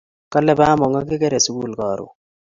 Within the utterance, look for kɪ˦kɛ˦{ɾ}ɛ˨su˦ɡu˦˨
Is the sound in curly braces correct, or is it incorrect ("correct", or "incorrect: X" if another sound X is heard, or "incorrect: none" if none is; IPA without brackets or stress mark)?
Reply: correct